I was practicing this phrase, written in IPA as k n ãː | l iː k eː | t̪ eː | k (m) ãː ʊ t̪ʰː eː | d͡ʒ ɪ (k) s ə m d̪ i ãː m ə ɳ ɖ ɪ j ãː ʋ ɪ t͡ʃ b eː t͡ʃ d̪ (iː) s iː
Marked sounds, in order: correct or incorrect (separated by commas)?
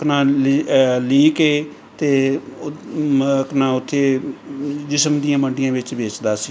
incorrect, incorrect, incorrect